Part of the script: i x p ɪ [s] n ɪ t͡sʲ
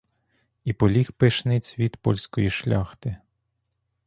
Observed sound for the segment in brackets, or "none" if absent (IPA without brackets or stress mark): ʃ